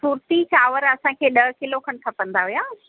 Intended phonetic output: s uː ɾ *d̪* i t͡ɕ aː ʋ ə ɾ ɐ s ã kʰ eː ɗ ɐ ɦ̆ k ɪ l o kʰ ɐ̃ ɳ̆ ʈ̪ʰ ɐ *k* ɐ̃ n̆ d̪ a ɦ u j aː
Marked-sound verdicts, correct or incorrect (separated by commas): incorrect, incorrect